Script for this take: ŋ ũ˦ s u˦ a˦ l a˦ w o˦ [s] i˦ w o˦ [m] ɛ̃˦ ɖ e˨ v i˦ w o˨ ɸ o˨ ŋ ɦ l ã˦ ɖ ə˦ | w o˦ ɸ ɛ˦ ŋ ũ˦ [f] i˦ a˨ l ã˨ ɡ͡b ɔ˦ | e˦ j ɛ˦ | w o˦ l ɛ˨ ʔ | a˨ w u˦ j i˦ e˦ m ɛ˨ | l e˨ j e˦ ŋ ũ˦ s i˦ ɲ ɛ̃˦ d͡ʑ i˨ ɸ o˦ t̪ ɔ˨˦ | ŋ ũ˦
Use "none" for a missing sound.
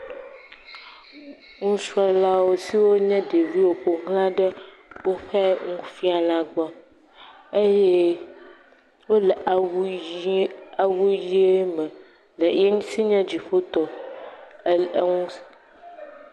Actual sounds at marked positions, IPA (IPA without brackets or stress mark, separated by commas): s, ɲ, f